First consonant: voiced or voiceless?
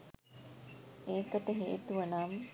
voiceless